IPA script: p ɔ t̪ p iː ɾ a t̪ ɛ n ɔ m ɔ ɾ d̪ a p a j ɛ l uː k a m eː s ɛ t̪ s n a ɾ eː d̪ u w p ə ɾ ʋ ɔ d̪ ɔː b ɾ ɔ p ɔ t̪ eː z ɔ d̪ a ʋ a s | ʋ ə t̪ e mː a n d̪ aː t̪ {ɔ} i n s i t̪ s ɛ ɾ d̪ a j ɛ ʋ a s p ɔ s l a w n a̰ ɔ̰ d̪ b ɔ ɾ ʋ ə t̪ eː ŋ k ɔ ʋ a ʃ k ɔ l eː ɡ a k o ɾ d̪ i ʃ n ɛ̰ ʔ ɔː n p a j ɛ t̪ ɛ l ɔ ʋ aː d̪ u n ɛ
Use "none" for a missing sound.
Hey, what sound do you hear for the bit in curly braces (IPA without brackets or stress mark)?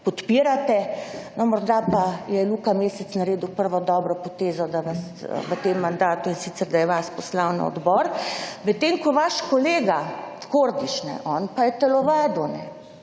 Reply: u